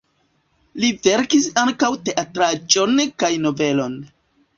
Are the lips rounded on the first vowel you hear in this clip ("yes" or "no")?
no